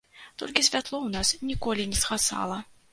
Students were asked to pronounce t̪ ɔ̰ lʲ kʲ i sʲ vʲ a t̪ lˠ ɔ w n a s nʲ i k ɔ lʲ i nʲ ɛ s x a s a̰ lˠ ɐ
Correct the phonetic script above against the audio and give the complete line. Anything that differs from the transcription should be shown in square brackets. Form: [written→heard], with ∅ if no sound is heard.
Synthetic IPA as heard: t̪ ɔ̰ lʲ kʲ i sʲ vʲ a t̪ lˠ ɔ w n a s nʲ i k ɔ lʲ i nʲ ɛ s x a s a̰ lˠ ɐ